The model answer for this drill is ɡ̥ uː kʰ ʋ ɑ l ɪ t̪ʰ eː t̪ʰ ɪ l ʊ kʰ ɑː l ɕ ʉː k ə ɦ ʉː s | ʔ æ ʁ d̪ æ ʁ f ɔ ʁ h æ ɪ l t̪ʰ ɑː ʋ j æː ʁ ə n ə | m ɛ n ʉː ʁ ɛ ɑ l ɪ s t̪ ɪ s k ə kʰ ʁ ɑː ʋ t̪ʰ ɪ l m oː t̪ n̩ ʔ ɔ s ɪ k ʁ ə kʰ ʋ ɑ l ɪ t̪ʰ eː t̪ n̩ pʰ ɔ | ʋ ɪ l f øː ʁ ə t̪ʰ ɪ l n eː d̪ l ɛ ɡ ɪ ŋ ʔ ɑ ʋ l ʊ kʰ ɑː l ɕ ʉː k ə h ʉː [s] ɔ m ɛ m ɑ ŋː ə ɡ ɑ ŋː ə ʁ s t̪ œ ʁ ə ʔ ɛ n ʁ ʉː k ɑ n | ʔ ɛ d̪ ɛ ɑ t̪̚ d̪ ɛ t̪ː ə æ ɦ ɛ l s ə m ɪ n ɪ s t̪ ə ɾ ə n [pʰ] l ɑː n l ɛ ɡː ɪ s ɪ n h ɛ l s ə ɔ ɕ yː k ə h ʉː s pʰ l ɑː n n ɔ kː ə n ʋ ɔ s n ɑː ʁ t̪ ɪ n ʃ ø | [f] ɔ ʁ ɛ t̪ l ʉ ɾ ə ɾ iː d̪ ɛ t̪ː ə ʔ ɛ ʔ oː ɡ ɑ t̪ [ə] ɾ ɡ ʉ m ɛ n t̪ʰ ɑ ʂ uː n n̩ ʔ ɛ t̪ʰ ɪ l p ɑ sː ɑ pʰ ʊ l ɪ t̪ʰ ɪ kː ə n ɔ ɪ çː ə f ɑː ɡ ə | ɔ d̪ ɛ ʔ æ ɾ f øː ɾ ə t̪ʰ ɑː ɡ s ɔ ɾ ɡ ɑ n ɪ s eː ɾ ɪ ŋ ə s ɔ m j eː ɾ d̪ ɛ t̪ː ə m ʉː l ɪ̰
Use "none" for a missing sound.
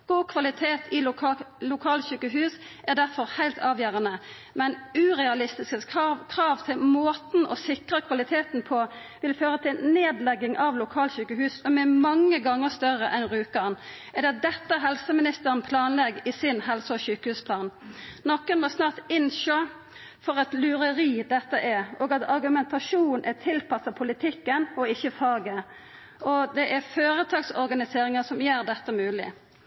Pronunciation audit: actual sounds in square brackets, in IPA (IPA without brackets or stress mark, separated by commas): s, pʰ, f, ɑ